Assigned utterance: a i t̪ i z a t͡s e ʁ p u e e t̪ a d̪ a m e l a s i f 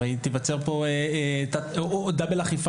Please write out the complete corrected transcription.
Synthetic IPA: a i t̪ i v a t͡s e ʁ p o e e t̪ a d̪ a b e l a χ i f